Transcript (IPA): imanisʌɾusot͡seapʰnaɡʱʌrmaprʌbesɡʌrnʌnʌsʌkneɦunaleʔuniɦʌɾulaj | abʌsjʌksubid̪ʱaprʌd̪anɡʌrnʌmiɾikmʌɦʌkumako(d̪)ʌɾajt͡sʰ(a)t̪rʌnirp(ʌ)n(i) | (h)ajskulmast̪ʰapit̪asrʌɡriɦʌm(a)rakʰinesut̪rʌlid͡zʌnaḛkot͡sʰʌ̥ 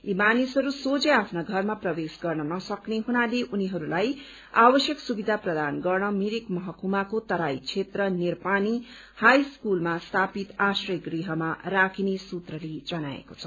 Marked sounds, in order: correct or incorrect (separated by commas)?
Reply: incorrect, incorrect, incorrect, correct, correct, correct